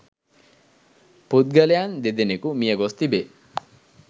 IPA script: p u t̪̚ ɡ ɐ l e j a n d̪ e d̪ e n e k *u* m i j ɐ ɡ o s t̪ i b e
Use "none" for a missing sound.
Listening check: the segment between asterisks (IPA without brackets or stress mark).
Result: u